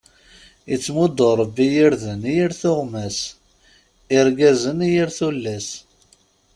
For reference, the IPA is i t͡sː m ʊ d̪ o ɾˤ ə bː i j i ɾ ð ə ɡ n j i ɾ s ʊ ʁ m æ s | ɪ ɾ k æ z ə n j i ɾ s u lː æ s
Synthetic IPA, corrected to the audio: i t͡sː m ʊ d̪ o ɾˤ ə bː i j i ɾ ð ə n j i ɾ θ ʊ ʁ m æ s | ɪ ɾ ɡ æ z ə n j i ɾ θ u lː æ s